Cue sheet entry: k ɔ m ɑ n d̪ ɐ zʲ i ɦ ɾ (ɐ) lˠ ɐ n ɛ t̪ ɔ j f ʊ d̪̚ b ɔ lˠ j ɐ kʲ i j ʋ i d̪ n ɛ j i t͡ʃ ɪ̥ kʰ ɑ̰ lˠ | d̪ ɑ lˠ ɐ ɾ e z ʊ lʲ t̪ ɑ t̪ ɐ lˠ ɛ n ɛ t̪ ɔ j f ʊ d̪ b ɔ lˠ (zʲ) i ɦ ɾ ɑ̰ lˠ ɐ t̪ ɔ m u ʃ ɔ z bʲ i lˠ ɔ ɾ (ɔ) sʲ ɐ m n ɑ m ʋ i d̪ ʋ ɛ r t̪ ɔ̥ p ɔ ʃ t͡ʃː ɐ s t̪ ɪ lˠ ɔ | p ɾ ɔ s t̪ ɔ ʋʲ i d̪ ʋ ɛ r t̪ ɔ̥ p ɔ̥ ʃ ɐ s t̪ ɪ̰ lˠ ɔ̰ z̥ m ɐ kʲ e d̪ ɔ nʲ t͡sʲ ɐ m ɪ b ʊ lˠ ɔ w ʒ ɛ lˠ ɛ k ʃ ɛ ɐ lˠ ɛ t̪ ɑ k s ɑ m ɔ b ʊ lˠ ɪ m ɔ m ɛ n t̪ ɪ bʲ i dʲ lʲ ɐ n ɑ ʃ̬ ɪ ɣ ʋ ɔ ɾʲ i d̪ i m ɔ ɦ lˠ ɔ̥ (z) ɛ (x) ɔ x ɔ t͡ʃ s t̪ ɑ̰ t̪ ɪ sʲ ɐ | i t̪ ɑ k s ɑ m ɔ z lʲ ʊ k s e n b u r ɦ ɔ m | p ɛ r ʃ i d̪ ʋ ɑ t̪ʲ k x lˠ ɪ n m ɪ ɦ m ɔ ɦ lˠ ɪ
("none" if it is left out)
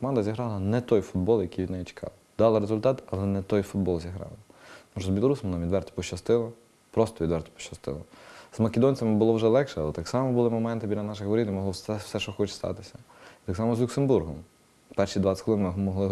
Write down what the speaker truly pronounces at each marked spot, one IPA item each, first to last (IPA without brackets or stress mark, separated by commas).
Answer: ɑ, zʲ, u, s, ʃ